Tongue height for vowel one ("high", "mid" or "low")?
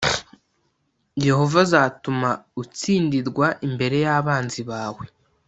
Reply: mid